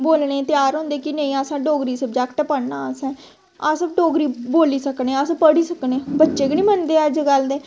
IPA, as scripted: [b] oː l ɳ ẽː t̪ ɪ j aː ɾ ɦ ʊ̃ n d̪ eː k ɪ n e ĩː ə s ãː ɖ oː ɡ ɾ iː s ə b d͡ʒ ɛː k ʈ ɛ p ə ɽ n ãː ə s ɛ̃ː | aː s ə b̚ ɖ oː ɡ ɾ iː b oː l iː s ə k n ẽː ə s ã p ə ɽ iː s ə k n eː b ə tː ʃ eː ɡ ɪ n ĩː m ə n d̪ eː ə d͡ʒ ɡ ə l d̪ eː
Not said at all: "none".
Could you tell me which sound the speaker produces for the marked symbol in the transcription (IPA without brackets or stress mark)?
b